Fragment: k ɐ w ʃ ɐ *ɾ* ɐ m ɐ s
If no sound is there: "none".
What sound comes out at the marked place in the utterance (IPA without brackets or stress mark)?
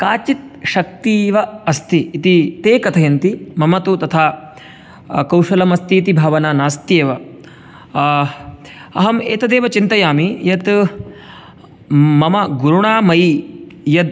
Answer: l